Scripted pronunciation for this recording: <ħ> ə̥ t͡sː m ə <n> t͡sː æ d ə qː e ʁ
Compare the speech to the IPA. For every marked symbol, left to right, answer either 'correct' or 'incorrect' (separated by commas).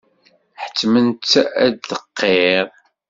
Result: correct, correct